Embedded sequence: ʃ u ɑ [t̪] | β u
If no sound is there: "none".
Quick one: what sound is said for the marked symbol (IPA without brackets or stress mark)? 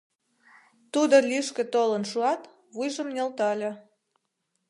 t̪